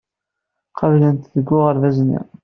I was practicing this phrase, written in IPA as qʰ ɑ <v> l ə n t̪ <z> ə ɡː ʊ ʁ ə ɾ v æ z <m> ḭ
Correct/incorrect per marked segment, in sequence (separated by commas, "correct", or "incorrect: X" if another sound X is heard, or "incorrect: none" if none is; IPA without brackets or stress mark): correct, incorrect: ð, incorrect: n